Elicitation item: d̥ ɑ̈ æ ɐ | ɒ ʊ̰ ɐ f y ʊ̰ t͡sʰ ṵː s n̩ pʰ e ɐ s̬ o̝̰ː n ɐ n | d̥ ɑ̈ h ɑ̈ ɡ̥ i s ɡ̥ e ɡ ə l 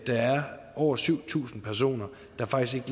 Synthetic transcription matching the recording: d̥ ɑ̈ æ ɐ | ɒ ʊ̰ ɐ s y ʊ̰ t͡sʰ ṵː s n̩ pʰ æ ɐ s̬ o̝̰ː n ɐ | d̥ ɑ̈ f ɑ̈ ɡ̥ i s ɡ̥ e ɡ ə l